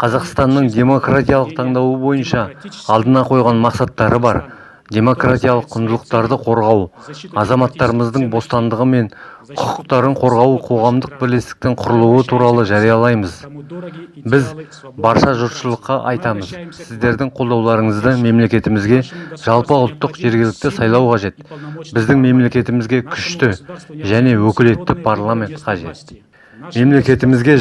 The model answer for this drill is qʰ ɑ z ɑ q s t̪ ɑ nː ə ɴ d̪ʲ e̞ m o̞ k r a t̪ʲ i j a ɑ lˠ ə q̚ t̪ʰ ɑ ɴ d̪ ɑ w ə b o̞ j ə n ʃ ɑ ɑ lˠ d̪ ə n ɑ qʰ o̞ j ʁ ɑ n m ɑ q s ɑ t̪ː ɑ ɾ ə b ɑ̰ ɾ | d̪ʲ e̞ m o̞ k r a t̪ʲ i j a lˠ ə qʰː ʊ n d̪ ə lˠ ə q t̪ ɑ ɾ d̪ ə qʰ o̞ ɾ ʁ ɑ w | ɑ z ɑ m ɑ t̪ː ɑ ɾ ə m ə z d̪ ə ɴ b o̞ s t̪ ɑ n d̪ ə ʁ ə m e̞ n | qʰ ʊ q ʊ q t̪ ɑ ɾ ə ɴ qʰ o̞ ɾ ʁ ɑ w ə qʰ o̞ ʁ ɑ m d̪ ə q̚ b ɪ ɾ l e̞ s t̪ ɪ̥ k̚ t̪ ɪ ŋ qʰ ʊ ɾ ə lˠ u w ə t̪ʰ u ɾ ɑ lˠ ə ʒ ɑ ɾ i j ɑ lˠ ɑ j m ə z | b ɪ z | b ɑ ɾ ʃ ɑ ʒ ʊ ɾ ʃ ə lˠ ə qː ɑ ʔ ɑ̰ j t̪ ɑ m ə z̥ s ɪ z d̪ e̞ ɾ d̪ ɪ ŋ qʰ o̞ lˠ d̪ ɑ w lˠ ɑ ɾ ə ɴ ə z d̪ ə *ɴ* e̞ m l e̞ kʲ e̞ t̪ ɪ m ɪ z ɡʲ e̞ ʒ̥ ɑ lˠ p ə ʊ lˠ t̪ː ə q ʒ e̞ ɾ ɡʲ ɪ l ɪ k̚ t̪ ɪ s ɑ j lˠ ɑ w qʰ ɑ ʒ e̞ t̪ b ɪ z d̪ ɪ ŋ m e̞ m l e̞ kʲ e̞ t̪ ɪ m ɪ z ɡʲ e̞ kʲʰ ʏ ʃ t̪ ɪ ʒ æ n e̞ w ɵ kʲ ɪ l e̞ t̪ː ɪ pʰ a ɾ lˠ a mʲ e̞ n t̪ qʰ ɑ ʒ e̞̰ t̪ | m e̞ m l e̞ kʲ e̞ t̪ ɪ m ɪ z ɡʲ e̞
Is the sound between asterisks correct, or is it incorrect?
incorrect